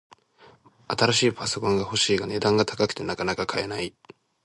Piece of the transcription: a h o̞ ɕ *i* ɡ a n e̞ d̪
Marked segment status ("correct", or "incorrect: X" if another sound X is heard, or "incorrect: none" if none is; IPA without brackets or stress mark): incorrect: iː